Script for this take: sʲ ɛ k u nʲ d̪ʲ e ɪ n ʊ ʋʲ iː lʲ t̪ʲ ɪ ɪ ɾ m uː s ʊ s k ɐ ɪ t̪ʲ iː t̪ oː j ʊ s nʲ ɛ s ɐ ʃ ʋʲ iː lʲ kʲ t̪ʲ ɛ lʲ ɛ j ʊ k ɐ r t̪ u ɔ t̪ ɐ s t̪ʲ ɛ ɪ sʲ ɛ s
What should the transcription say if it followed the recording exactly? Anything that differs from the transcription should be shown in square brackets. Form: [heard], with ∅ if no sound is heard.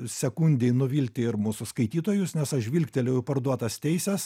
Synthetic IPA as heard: sʲ ɛ k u nʲ d̪ʲ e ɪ n ʊ ʋʲ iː lʲ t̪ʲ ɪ ɪ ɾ m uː s ʊ s k ɐ ɪ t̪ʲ iː t̪ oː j ʊ s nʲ ɛ s ɐ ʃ ʋʲ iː lʲ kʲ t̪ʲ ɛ lʲ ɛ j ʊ [p] ɐ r [d̪] u ɔ t̪ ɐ s t̪ʲ ɛ ɪ sʲ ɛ s